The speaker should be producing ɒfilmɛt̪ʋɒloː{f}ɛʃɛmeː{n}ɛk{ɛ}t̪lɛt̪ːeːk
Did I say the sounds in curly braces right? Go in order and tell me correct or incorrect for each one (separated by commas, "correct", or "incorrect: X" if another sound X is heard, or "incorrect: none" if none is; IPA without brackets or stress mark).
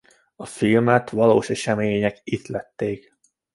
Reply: incorrect: ʃ, incorrect: ɲ, incorrect: i